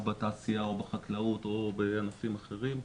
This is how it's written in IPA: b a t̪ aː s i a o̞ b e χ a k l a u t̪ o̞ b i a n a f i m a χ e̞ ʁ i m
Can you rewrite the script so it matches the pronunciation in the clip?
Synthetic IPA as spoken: b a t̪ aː s i a o̞ b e χ a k l a u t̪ o̞ b e a n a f i m a χ e̞ ʁ i m